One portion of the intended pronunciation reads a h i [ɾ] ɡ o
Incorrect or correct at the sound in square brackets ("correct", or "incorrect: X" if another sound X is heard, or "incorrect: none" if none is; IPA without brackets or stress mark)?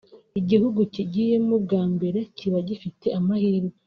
correct